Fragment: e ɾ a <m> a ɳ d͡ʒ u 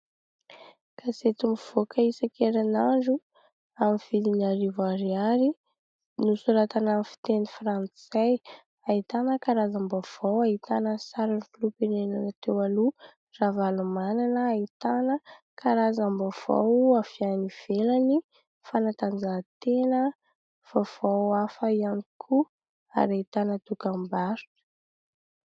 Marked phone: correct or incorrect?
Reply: incorrect